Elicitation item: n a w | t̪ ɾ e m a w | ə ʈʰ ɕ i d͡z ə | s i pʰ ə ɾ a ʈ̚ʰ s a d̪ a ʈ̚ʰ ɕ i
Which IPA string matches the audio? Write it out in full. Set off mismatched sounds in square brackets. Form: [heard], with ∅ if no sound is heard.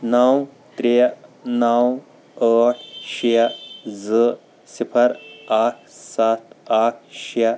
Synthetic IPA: n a w | t̪ ɾ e [n] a w | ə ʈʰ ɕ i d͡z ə | s i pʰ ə ɾ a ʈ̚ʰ s a [t̪] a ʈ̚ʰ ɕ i